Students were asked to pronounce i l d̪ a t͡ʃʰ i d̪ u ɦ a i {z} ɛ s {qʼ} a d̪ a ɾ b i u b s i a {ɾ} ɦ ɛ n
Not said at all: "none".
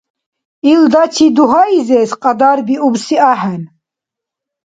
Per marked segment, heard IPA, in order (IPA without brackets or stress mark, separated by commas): z, qʼ, none